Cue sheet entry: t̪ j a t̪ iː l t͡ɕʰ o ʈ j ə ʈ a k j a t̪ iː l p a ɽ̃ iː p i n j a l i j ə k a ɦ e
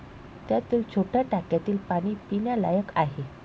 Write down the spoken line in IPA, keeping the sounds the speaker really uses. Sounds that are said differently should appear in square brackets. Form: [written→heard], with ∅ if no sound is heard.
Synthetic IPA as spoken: t̪ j a t̪ iː l t͡ɕʰ o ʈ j [ə→a] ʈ a k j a t̪ iː l p a ɽ̃ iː p i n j a l [i→a] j ə k a ɦ e